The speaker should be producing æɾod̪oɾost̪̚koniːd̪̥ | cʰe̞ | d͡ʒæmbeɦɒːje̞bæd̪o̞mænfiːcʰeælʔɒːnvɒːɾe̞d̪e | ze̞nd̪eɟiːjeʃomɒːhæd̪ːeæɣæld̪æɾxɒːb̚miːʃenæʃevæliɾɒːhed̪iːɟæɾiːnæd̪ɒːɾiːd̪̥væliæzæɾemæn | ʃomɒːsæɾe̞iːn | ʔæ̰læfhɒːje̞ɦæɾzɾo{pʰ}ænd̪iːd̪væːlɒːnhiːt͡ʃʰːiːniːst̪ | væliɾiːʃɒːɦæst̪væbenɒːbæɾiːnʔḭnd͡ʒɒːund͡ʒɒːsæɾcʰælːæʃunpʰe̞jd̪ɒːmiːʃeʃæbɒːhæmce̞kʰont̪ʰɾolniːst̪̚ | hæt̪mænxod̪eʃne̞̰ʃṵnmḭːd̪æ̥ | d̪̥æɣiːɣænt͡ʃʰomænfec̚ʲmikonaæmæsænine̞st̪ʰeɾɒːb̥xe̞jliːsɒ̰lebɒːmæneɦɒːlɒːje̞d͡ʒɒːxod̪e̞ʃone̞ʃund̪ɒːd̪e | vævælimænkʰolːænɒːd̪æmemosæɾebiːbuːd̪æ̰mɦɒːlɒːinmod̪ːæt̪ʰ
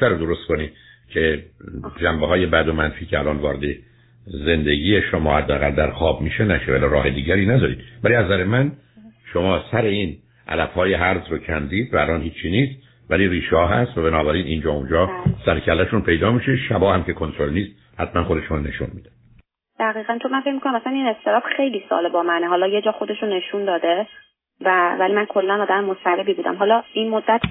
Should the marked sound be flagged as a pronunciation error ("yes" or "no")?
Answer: yes